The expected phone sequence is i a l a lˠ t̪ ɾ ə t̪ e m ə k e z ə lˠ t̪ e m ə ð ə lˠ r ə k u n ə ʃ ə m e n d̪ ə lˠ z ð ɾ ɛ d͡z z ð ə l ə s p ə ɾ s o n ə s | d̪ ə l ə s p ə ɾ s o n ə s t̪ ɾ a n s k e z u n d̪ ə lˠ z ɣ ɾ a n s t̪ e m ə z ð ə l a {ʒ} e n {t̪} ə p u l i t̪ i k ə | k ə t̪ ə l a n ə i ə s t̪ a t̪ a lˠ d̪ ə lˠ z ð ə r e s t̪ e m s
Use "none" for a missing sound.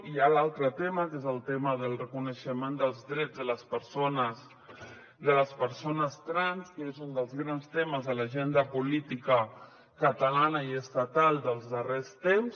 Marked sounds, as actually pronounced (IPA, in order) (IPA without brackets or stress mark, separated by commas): ʒ, d̪